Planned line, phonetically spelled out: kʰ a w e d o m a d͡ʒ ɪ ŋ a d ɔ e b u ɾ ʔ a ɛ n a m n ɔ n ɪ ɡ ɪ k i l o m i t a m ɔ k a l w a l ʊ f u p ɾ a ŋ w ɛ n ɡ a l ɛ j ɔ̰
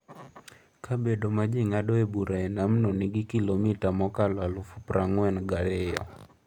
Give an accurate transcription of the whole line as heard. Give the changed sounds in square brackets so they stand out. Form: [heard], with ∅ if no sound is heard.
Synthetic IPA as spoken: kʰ a [b] e d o m a d͡ʒ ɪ ŋ a d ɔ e b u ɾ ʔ a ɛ n a m n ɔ n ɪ ɡ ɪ k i l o m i t a m ɔ k a l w a l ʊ f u p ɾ a ŋ w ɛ n ɡ a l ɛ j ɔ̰

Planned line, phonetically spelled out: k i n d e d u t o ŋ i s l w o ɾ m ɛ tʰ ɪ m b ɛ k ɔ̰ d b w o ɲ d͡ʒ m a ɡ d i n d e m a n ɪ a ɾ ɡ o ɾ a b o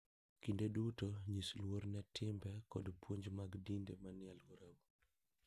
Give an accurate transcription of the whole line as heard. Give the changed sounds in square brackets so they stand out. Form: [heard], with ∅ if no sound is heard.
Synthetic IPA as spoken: k i n d e d u t o [ɲ] i s l w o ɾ [n] ɛ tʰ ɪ m b ɛ k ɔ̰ d [p] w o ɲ d͡ʒ m a ɡ d i n d e m a n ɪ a [l] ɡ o ɾ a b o

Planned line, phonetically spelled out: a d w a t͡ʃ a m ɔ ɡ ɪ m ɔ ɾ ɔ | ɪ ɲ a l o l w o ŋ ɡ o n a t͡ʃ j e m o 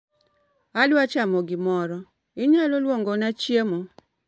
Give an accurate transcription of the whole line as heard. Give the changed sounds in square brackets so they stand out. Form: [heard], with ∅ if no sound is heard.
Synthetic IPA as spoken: a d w a t͡ʃ a m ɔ ɡ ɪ m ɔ ɾ ɔ | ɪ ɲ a l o l w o ŋ ɡ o n a t͡ʃ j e m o

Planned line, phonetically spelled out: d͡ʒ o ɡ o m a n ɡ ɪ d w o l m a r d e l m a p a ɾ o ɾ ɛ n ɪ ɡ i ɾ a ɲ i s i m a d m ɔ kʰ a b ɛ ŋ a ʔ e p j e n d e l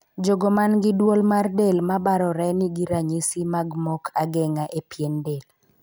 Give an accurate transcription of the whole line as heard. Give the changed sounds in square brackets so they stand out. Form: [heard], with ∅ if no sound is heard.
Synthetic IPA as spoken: d͡ʒ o ɡ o m a n ɡ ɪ d w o l m a r d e l m a [b] a ɾ [ɔ] ɾ ɛ n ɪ ɡ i ɾ a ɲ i s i m a [ɡ] m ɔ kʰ a [ɡ] ɛ ŋ a ʔ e p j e n d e l

